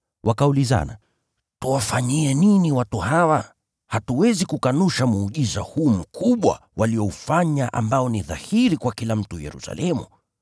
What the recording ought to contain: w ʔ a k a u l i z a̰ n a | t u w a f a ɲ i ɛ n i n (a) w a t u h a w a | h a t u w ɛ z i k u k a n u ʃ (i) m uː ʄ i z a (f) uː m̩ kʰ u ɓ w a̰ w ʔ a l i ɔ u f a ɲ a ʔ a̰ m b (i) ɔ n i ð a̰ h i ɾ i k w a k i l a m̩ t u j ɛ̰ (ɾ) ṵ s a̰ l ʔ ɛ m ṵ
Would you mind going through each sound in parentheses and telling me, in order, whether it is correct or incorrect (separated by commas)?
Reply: incorrect, incorrect, incorrect, incorrect, correct